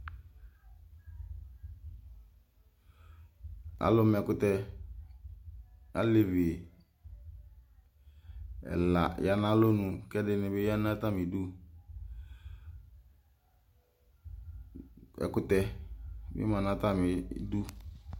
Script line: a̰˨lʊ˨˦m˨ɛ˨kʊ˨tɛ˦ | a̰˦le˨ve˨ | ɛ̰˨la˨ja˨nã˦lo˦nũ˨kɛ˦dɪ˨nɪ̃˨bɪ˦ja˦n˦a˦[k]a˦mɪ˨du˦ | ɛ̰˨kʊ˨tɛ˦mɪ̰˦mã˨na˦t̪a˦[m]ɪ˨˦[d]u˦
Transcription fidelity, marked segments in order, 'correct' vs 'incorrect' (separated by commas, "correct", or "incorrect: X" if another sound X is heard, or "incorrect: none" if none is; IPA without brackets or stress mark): incorrect: t, correct, correct